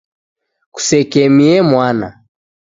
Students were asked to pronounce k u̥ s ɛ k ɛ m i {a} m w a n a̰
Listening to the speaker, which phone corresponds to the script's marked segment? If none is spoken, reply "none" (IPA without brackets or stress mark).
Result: ɛ